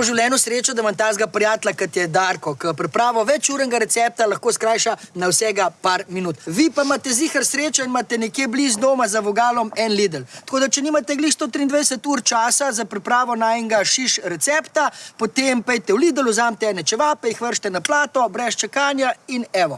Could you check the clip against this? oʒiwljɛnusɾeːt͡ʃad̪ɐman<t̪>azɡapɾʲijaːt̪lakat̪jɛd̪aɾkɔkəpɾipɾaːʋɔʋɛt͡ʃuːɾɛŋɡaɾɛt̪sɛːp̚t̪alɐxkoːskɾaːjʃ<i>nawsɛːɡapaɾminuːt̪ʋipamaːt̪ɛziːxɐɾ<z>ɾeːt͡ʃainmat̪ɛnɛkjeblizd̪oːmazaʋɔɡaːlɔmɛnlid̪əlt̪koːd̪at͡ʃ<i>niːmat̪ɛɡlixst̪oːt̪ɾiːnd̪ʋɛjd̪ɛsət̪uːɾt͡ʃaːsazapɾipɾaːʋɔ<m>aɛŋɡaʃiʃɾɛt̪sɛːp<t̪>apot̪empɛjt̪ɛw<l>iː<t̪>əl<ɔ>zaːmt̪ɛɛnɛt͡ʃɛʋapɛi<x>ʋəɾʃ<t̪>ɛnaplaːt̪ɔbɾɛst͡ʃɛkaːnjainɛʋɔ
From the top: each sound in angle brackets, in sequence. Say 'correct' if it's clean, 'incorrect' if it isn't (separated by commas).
correct, incorrect, incorrect, incorrect, incorrect, correct, correct, incorrect, incorrect, correct, correct